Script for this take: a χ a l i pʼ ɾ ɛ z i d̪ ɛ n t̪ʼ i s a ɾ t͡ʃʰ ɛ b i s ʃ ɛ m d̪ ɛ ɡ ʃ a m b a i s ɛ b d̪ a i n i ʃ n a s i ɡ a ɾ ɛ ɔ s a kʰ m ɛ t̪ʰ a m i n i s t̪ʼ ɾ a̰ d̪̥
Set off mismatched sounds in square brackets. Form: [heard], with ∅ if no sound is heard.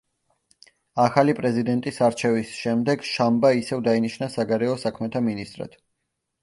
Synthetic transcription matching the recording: a χ a l i pʼ ɾ ɛ z i d̪ ɛ n t̪ʼ i s a ɾ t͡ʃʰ ɛ [v] i s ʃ ɛ m d̪ ɛ ɡ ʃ a m b a i s ɛ [v] d̪ a i n i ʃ n a s [a] ɡ a ɾ ɛ ɔ s a kʰ m ɛ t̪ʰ a m i n i s t̪ʼ ɾ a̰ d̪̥